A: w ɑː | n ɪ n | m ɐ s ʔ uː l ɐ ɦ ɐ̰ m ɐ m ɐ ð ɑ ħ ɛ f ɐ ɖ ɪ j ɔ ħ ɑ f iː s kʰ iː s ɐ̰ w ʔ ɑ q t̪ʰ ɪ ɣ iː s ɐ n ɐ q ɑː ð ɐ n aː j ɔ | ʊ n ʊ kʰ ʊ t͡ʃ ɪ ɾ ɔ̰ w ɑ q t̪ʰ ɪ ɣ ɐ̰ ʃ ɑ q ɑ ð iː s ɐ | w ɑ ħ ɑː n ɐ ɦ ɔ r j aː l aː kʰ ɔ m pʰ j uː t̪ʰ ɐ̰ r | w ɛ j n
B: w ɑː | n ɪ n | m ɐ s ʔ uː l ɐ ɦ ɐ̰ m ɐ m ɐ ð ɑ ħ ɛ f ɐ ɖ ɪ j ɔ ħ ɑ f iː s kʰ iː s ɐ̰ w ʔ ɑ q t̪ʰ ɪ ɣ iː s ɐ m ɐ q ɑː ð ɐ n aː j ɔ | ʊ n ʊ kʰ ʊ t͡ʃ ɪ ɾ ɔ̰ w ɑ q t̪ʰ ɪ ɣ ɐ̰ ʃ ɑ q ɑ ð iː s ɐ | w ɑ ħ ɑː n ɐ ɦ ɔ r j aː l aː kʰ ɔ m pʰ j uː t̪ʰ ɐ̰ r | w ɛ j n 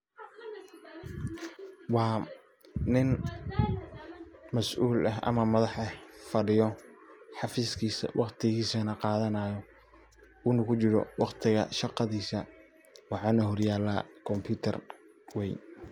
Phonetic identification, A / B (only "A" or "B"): A